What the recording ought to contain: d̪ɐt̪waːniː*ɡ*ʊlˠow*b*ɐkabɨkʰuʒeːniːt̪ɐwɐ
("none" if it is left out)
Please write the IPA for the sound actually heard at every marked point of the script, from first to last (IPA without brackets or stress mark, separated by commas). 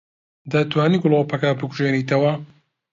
ɡ, p